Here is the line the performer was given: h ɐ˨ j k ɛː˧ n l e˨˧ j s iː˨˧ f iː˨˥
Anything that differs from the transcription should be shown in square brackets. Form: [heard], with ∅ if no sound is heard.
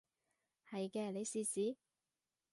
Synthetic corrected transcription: h ɐ˨ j k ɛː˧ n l e˨˧ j s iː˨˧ [s] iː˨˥